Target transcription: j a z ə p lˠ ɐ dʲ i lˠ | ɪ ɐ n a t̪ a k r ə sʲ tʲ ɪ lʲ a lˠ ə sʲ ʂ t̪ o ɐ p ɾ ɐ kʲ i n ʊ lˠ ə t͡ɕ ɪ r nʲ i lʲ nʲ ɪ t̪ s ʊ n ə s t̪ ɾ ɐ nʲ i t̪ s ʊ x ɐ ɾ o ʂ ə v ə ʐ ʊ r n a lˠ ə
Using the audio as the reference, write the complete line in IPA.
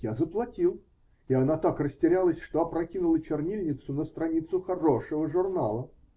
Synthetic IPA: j a z ə p lˠ ɐ tʲ i lˠ | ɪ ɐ n a t̪ a k r ə sʲ tʲ ɪ ɾʲ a lˠ ə sʲ ʂ t̪ o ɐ p ɾ ɐ kʲ i n ʊ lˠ ə t͡ɕ ɪ r nʲ i lʲ nʲ ɪ t̪ s ʊ n ə s t̪ ɾ ɐ nʲ i t̪ s ʊ x ɐ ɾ o ʂ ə v ə ʐ ʊ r n a lˠ ə